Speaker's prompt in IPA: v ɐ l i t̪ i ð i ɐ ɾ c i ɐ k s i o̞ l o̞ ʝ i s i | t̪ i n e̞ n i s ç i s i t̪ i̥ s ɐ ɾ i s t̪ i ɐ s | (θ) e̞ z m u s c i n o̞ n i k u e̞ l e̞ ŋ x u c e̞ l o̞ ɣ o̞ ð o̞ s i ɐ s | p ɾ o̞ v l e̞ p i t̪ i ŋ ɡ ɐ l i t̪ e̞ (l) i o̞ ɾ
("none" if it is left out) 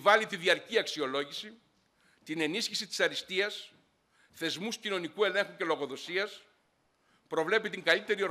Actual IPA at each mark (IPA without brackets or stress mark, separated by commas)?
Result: θ, ɾ